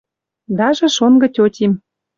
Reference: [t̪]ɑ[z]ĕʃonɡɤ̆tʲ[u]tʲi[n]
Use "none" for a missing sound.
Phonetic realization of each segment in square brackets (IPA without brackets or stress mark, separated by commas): d̪, ʒ, o, m